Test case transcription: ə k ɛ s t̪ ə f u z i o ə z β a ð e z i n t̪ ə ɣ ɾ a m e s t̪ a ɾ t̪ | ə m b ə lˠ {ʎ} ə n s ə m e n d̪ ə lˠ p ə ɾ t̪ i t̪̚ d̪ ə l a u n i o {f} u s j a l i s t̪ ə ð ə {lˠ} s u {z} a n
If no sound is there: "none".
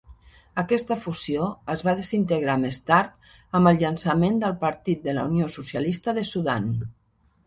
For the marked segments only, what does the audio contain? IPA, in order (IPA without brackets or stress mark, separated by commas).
ʎ, s, none, ð